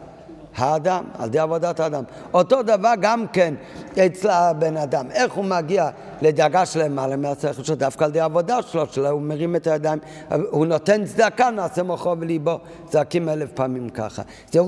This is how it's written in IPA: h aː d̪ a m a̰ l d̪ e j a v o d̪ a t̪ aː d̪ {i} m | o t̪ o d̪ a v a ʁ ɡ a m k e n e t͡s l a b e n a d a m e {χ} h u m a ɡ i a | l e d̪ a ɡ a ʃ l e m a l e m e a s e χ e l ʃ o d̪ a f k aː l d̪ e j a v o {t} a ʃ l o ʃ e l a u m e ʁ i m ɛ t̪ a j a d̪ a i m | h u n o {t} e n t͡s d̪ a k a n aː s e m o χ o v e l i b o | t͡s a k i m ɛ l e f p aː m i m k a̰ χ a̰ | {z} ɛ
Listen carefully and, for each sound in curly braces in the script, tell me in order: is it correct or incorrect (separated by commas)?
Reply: incorrect, correct, incorrect, correct, correct